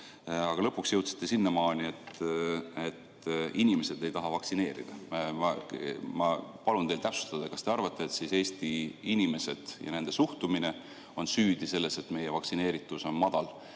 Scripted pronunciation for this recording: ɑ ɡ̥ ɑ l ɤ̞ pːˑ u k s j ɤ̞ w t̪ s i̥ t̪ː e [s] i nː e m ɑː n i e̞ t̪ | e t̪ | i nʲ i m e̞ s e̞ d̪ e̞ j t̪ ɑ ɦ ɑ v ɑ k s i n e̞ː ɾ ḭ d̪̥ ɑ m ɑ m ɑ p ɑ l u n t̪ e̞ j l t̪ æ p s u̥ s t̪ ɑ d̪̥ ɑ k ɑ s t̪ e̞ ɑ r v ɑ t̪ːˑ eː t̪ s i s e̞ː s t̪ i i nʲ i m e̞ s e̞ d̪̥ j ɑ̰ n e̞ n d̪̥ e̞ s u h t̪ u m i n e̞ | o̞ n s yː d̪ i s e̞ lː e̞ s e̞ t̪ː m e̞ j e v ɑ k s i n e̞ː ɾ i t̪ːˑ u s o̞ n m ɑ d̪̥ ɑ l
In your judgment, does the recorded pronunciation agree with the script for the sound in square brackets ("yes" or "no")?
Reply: yes